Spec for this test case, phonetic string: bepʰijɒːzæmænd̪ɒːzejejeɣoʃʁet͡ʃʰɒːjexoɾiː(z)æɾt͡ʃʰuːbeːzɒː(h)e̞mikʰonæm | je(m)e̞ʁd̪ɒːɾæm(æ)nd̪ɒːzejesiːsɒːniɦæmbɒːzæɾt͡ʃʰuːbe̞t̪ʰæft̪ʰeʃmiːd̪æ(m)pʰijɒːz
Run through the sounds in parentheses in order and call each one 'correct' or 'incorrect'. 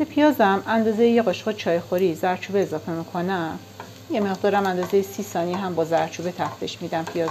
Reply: correct, incorrect: f, correct, correct, correct

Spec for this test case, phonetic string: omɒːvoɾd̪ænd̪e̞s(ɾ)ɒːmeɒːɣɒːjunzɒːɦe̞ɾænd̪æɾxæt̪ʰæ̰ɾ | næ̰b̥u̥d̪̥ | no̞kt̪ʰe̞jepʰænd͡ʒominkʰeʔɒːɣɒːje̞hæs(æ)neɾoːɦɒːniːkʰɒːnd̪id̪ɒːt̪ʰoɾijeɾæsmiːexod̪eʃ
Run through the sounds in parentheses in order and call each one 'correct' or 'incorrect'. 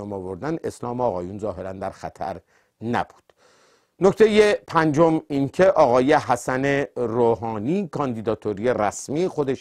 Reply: incorrect: l, correct

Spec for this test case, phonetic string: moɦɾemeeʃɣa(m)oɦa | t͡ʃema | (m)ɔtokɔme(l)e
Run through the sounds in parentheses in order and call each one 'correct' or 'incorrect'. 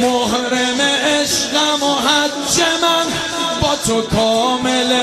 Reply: correct, incorrect: b, correct

